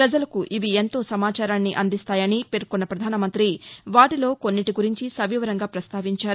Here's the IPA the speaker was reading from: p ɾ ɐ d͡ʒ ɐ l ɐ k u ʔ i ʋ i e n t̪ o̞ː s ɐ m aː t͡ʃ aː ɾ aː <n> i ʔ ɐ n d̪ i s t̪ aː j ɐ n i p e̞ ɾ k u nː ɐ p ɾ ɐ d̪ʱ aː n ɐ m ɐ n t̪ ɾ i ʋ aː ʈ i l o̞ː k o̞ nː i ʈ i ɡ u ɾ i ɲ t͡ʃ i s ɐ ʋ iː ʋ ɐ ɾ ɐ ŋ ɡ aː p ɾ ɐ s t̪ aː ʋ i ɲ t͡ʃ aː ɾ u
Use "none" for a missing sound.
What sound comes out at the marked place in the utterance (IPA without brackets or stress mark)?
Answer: nː